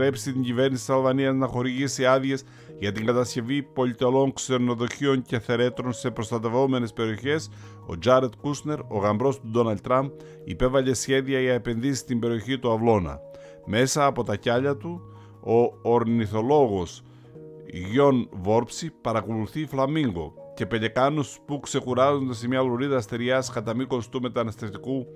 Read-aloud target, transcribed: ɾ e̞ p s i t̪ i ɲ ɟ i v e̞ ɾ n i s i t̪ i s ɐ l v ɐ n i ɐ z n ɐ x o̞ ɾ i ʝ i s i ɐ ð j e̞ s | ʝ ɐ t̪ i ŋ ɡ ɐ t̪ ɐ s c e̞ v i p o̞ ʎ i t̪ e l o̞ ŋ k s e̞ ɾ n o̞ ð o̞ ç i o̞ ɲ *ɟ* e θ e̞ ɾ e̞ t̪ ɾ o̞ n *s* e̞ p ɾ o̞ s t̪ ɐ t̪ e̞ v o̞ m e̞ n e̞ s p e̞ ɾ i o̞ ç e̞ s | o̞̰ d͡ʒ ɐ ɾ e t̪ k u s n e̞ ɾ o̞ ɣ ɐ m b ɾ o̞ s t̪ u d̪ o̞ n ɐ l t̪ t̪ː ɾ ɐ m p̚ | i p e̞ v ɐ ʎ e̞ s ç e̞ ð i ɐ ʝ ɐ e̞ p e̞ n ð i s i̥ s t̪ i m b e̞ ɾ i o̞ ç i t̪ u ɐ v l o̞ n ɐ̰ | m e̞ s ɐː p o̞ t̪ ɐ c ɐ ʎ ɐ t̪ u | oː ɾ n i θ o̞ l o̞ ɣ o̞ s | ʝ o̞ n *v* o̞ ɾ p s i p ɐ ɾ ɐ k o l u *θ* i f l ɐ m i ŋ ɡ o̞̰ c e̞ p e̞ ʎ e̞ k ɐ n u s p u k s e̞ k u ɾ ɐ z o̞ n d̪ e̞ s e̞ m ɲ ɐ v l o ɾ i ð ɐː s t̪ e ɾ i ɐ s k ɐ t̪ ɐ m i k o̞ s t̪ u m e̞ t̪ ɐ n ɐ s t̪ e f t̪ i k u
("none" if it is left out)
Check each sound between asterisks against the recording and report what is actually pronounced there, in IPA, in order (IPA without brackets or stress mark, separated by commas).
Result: c, s, v, θ